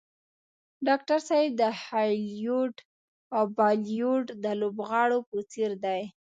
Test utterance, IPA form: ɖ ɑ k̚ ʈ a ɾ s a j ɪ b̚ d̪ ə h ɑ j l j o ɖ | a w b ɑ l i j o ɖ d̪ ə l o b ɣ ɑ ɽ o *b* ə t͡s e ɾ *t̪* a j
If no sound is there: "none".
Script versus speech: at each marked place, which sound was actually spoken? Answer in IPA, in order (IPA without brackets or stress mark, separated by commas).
p, d̪